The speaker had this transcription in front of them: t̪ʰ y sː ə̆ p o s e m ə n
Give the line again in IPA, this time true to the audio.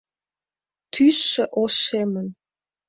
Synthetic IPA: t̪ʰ y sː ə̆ ʔ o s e m ə n